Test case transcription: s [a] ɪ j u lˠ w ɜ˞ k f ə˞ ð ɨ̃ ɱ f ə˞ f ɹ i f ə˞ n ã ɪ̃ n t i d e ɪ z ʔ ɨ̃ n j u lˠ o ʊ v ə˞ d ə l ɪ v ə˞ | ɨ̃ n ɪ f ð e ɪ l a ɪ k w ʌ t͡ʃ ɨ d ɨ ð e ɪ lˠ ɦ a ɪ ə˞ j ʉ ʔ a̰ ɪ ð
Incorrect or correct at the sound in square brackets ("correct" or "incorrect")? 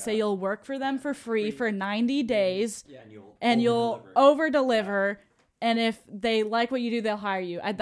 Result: incorrect